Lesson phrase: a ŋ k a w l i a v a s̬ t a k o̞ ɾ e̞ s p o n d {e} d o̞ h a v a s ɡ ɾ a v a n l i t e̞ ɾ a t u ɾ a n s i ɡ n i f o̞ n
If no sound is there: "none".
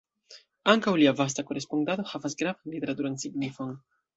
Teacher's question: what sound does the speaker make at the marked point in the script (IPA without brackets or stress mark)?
a